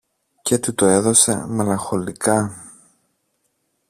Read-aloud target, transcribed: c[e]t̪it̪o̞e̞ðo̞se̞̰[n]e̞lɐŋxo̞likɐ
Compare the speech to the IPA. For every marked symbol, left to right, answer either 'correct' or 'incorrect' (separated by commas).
correct, incorrect